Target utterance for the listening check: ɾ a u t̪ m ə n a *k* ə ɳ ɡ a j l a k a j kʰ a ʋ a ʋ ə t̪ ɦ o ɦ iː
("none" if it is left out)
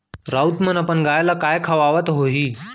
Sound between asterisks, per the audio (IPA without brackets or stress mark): p